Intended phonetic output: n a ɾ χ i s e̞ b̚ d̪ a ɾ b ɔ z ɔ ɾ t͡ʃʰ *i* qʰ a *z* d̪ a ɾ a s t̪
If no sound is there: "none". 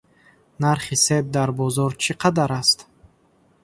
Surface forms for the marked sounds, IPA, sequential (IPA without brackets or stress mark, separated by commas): i, none